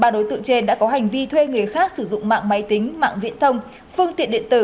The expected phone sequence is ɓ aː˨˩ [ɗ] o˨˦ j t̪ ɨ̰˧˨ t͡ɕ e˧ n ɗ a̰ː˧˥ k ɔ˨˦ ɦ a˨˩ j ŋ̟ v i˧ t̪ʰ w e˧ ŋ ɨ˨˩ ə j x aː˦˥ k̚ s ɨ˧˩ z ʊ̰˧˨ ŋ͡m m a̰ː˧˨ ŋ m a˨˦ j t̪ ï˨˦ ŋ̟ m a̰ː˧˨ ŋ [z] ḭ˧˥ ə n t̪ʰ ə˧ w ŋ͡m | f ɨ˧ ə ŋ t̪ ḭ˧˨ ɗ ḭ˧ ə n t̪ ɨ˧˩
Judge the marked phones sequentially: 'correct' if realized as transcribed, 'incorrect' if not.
correct, incorrect: v

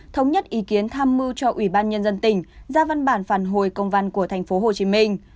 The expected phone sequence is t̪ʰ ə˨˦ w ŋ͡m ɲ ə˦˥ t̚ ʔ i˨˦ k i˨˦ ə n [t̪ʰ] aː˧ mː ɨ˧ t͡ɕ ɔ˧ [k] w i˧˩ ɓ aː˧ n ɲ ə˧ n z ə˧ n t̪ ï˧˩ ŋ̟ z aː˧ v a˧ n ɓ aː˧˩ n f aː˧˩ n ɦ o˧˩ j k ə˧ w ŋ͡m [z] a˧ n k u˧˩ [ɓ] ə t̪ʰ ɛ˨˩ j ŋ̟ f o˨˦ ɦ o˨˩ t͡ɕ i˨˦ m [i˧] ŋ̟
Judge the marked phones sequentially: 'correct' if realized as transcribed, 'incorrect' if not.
correct, incorrect: ʔ, incorrect: v, incorrect: none, correct

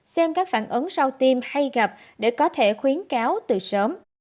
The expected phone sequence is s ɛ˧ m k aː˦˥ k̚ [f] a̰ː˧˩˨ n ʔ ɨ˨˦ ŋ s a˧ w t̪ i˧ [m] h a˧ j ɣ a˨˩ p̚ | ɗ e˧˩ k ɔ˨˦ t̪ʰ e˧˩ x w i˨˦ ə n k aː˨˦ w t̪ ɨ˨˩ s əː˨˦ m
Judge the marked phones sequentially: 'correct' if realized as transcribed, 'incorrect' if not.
correct, correct

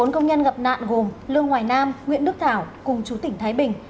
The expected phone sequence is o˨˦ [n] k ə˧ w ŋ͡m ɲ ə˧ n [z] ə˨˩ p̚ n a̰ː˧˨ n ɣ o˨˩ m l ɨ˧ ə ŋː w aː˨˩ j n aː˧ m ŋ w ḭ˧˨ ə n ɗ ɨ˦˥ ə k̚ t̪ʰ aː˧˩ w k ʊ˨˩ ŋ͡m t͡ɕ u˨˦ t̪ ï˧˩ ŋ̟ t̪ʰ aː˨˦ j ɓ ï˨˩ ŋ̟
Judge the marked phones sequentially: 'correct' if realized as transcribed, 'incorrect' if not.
correct, incorrect: ɣ

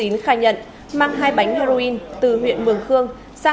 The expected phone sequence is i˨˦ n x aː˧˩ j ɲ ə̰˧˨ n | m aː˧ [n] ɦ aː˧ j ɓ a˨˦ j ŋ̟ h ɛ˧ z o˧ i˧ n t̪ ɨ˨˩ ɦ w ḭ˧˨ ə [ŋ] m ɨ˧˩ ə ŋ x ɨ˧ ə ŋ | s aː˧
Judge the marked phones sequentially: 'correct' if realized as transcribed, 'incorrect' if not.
incorrect: ŋ, incorrect: n

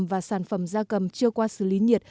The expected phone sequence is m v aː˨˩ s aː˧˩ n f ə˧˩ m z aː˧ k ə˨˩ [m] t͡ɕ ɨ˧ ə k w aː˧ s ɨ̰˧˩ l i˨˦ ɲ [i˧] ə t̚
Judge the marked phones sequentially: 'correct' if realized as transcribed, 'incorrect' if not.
correct, incorrect: i˨˩

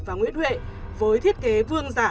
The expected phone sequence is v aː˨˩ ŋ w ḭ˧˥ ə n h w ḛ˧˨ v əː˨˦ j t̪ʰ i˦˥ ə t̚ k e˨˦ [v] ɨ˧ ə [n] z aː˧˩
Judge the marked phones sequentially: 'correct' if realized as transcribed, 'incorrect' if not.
correct, incorrect: ŋ

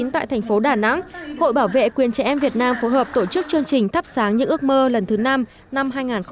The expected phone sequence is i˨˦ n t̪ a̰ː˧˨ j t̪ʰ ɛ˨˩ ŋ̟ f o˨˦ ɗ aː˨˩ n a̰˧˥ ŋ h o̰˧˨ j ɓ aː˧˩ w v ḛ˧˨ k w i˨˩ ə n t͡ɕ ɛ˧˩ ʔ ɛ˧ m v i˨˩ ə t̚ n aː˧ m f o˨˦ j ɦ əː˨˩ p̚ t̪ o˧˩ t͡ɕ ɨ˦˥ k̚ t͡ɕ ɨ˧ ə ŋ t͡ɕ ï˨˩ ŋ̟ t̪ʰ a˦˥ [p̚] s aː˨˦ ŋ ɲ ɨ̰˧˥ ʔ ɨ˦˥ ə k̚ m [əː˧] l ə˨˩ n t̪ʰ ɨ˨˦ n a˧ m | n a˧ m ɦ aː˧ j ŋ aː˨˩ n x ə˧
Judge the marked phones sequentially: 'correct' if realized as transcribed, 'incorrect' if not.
correct, correct

